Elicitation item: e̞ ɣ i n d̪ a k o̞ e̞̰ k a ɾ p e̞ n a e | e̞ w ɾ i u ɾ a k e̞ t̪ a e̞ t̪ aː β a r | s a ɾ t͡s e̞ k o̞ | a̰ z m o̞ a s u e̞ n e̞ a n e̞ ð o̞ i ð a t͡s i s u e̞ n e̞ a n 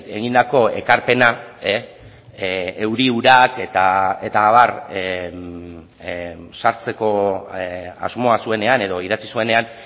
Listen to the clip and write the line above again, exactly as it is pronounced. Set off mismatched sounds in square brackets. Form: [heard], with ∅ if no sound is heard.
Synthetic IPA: e̞ ɣ i n d̪ a k o̞ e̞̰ k a ɾ p e̞ n a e | e̞ w ɾ i u ɾ a k e̞ t̪ a e̞ t̪ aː β a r | s a ɾ t͡s e̞ k o̞ | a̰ z m o̞ a s u e̞ n e̞ a n e̞ ð o̞ i ð a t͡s i s u e̞ n e̞ a n